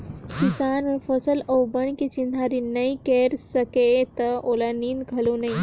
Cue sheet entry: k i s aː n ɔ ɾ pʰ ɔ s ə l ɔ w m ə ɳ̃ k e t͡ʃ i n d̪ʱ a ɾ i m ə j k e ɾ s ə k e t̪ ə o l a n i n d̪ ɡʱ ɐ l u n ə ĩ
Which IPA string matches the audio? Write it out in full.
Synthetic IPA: k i s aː n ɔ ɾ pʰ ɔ s ə l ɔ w b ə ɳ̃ k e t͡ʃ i n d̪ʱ a ɾ i n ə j k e ɾ s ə k e t̪ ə o l a n i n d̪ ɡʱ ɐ l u n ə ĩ